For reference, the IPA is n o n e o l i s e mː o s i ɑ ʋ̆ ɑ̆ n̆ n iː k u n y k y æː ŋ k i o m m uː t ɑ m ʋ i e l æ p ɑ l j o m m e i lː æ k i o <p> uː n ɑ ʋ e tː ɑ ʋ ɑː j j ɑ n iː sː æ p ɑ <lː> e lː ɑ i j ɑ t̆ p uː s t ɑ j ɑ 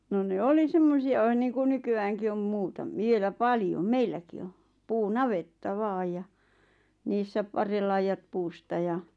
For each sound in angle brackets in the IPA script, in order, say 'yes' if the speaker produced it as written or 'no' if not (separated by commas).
yes, no